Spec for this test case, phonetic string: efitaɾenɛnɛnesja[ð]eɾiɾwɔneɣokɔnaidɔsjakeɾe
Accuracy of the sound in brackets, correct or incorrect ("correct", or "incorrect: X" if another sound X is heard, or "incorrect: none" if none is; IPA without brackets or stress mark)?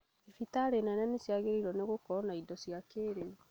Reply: incorrect: ɣ